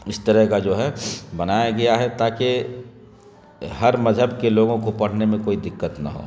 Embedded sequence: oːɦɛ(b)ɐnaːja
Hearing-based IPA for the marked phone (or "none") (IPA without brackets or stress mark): b